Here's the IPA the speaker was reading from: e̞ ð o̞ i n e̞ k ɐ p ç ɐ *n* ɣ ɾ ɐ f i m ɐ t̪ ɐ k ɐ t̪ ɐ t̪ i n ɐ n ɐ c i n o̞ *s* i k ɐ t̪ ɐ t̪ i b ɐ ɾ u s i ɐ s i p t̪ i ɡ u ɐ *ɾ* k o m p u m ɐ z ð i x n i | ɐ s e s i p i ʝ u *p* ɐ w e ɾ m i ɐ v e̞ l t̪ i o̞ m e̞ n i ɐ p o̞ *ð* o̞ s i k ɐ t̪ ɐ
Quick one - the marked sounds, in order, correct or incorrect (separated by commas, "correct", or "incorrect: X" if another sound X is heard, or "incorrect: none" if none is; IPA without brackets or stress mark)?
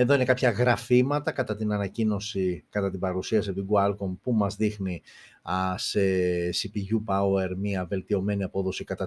incorrect: none, correct, incorrect: l, correct, correct